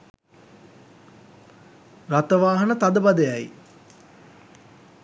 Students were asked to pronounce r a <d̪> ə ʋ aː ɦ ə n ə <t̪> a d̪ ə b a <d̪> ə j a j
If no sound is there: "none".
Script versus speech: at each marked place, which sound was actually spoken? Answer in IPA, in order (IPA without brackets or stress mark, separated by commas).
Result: t̪, t̪, d̪